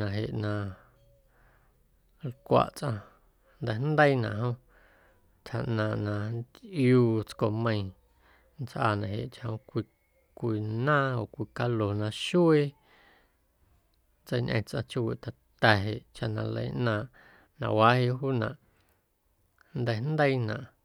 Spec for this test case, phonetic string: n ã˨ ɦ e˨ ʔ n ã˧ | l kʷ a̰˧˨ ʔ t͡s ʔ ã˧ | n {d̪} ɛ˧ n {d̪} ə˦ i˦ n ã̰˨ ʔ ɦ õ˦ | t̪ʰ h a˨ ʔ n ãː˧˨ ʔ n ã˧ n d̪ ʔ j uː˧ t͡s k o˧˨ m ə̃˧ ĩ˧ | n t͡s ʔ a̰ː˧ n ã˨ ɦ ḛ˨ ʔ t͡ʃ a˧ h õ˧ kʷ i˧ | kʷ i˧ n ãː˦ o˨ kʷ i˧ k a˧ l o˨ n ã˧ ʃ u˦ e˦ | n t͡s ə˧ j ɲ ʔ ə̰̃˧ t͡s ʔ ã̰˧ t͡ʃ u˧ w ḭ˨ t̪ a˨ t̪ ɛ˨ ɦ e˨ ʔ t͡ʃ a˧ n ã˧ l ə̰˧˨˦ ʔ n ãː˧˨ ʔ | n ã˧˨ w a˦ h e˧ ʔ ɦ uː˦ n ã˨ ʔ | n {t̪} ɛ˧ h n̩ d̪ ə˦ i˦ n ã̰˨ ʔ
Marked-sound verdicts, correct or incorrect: correct, correct, incorrect

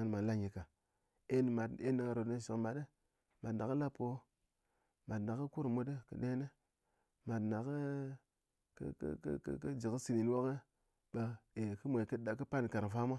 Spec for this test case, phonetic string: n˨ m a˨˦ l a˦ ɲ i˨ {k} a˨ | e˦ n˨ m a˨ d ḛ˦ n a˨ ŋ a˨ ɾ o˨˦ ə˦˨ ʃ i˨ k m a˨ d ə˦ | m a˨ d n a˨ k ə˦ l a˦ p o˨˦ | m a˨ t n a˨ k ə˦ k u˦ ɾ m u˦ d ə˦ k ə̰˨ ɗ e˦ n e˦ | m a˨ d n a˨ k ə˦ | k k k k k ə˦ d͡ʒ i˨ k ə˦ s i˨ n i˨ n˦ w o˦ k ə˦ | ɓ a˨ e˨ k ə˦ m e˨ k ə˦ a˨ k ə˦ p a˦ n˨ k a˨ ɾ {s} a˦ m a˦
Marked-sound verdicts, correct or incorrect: correct, incorrect

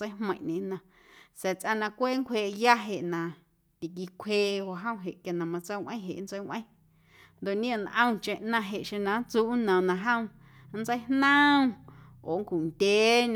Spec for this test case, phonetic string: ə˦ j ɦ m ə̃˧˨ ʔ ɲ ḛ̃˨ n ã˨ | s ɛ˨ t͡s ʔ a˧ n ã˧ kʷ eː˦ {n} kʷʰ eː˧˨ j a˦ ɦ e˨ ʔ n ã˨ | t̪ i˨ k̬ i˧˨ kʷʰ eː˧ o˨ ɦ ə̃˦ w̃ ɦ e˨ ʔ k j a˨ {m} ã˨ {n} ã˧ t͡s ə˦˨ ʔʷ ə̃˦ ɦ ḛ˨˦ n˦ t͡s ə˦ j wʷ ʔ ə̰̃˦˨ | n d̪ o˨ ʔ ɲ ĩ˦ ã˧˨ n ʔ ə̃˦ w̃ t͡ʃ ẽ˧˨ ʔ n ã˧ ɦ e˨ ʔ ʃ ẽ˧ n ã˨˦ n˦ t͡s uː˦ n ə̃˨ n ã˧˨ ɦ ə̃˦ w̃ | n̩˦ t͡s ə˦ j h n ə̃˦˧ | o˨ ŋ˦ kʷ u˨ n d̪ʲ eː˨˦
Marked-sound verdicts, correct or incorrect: incorrect, incorrect, incorrect

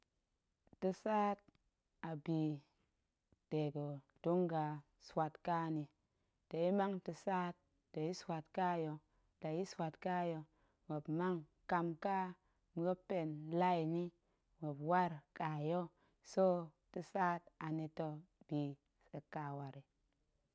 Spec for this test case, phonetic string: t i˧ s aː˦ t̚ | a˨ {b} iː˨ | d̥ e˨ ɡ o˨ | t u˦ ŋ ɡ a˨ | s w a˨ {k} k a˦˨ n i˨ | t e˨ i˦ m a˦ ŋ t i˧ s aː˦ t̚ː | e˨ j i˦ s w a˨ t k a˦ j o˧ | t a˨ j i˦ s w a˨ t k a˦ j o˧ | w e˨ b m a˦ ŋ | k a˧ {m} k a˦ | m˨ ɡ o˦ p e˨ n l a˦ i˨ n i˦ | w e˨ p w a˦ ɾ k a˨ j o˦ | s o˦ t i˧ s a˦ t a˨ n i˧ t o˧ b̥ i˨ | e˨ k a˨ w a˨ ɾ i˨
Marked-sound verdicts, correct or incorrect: correct, incorrect, correct

